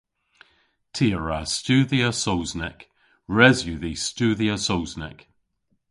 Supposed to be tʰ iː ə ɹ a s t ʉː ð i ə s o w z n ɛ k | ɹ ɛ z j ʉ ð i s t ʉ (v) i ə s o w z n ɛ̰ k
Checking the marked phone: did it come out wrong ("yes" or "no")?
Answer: yes